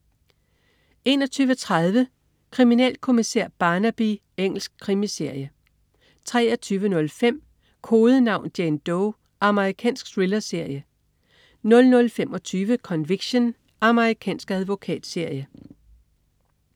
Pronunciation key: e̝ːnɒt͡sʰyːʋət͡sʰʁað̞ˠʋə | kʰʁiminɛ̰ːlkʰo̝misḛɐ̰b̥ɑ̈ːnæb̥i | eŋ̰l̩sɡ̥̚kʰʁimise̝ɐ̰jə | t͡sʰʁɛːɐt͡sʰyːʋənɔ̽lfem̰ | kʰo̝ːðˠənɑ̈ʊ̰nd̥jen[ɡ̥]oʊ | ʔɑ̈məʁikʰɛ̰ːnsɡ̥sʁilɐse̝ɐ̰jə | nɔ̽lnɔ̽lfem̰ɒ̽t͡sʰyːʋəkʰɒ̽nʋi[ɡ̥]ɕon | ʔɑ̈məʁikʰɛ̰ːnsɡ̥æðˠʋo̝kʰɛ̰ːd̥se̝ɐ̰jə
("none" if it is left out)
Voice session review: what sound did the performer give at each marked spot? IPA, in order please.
d̥, ɡ̥

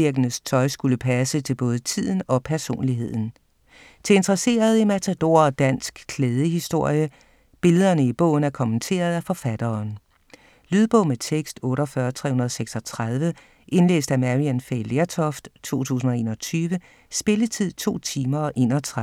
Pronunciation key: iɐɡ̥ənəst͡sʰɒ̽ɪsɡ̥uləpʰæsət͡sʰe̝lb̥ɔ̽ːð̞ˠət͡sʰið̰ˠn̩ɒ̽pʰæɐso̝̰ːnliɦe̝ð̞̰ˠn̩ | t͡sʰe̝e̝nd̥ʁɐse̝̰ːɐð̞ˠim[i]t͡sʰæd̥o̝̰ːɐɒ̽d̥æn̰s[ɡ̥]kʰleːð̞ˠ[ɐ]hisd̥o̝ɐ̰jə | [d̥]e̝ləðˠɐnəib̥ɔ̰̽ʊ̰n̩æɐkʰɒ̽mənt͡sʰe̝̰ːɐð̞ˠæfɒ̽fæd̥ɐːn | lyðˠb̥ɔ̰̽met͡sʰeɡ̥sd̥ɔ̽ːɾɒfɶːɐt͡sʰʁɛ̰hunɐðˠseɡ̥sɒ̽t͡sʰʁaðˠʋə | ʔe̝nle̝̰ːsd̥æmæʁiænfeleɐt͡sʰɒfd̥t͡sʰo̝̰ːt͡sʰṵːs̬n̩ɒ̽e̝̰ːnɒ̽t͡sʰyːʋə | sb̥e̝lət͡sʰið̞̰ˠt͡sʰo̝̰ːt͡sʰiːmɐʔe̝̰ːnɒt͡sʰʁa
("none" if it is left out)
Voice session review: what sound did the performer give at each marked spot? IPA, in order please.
æ, ɡ̥, ə, b̥

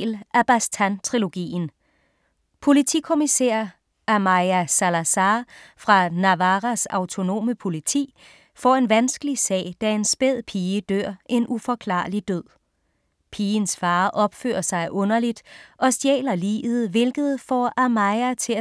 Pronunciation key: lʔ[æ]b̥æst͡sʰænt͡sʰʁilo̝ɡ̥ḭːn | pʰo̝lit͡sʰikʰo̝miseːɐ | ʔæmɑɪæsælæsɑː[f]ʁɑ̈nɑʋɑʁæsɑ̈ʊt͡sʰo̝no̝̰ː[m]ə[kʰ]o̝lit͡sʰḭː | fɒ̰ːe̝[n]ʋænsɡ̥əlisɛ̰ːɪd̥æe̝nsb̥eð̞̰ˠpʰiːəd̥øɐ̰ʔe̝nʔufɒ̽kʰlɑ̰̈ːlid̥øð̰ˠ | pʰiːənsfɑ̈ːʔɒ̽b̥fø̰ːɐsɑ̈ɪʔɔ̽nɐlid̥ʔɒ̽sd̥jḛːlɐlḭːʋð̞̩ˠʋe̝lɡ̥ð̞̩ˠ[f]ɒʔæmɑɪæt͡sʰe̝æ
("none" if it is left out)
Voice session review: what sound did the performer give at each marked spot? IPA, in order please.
æ, f, m, pʰ, n, f

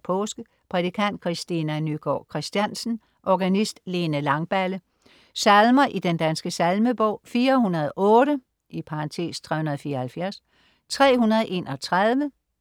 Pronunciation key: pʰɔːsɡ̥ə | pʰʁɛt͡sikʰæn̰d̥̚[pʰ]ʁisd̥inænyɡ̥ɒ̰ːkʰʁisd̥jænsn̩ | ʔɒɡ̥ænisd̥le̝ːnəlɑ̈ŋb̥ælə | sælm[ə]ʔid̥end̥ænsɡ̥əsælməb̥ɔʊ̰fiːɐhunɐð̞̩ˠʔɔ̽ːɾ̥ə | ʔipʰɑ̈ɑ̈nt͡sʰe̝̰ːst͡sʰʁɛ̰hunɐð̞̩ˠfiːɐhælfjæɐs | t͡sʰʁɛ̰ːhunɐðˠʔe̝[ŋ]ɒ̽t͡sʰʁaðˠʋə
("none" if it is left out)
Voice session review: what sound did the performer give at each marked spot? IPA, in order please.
kʰ, ɐ, n

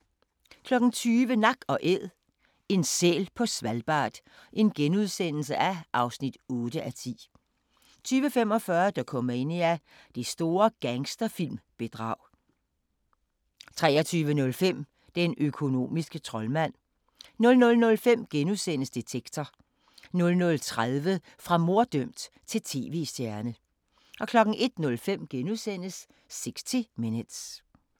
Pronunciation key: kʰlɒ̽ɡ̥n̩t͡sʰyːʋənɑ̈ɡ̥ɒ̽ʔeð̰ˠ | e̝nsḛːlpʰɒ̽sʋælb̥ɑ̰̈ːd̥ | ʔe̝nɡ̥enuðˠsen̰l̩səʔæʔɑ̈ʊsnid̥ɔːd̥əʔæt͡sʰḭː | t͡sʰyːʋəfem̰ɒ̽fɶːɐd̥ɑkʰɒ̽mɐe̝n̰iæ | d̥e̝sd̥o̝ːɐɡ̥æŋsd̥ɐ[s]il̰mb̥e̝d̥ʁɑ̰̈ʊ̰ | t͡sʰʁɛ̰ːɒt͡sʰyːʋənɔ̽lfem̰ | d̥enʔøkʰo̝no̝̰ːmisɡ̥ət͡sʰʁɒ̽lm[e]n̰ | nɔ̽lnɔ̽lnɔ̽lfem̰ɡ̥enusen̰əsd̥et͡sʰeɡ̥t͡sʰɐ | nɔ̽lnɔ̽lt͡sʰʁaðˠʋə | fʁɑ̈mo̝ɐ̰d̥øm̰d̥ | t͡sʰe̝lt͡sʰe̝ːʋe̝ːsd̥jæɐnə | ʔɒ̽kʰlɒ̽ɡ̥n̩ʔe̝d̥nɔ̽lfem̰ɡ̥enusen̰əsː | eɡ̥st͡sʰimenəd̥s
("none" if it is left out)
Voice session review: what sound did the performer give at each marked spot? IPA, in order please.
f, æ

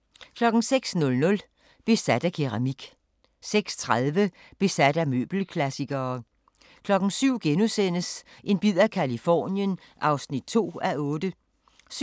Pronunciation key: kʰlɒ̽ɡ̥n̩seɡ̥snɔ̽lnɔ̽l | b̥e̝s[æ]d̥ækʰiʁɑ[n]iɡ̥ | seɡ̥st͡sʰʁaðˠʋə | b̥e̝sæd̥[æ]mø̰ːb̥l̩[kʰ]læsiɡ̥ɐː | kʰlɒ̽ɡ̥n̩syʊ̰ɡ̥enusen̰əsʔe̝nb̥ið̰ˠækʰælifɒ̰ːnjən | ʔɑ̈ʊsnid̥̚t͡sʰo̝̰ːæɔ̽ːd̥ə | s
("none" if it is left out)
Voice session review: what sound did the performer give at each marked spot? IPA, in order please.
æ, m, æ, kʰ

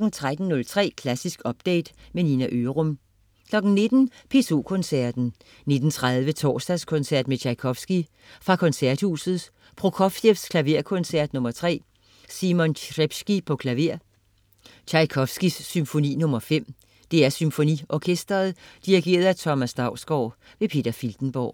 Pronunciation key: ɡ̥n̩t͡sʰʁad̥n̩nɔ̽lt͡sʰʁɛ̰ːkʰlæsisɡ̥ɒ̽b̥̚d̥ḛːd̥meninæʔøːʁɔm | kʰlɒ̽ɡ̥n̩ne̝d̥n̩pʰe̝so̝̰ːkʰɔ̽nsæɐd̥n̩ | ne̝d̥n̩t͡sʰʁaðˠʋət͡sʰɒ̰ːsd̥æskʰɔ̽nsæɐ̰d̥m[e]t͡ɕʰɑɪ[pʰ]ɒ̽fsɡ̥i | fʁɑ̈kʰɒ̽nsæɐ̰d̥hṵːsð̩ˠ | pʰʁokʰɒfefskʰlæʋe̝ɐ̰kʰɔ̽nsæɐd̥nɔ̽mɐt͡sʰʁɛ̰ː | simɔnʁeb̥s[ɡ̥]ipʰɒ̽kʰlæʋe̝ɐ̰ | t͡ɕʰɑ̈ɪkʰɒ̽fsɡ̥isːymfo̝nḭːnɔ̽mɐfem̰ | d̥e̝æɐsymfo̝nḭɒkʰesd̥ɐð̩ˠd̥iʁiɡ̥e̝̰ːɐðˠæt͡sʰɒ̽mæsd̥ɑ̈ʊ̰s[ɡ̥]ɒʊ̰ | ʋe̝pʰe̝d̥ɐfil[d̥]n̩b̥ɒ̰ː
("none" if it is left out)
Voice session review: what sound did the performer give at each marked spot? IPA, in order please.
e, kʰ, ɡ̥, ɡ̥, d̥

